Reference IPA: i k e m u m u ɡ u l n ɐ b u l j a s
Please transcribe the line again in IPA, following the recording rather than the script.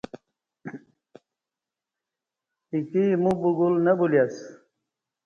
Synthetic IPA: i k i m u b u ɡ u l n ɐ b u l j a s